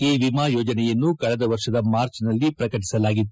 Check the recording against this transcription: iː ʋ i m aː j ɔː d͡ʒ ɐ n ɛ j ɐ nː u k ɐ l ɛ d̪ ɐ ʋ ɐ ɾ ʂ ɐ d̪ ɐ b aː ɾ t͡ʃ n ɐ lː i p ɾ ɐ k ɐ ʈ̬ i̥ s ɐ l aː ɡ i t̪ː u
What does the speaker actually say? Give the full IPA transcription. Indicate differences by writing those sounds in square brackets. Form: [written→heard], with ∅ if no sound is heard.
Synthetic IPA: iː ʋ i m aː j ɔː d͡ʒ ɐ n ɛ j ɐ nː u k ɐ [l→ɭ] ɛ d̪ ɐ ʋ ɐ ɾ ʂ ɐ d̪ ɐ [b→m] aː ɾ t͡ʃ n ɐ lː i p ɾ ɐ k ɐ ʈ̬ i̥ s ɐ l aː ɡ i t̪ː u

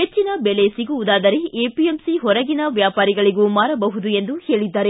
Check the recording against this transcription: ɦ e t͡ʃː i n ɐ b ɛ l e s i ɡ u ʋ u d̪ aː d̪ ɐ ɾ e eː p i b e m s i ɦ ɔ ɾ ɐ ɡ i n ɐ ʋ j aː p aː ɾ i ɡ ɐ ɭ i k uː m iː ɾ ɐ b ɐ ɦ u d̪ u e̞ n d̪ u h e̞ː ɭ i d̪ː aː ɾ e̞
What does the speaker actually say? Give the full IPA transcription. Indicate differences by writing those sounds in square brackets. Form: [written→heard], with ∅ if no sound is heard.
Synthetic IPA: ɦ e t͡ʃː i n ɐ b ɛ l e s i ɡ u ʋ u d̪ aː d̪ ɐ ɾ e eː p i [b→∅] e m s i ɦ ɔ ɾ ɐ ɡ i n ɐ ʋ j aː p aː ɾ i ɡ ɐ ɭ i [k→ɡ] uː m [iː→aː] ɾ ɐ b ɐ ɦ u d̪ u e̞ n d̪ u h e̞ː ɭ i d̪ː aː ɾ e̞

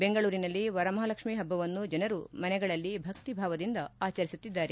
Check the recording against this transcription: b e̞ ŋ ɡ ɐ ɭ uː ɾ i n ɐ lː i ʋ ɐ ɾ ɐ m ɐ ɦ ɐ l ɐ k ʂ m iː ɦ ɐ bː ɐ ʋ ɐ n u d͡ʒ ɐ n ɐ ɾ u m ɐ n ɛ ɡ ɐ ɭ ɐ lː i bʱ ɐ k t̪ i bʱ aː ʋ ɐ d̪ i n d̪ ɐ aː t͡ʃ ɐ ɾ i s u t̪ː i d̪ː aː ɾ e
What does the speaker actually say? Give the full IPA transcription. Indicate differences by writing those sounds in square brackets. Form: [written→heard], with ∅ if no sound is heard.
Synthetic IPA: b e̞ ŋ ɡ ɐ ɭ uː ɾ i n ɐ lː i ʋ ɐ ɾ ɐ m ɐ ɦ ɐ l ɐ k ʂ m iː ɦ ɐ bː ɐ ʋ ɐ [n→nː] u d͡ʒ ɐ n ɐ ɾ u m ɐ n ɛ ɡ ɐ ɭ ɐ lː i bʱ ɐ k t̪ i bʱ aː ʋ ɐ d̪ i n d̪ ɐ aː t͡ʃ ɐ ɾ i s u t̪ː i d̪ː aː ɾ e

